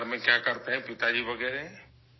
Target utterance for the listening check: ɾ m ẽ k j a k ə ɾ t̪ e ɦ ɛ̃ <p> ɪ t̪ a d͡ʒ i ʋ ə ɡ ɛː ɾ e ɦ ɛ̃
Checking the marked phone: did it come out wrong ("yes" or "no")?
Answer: no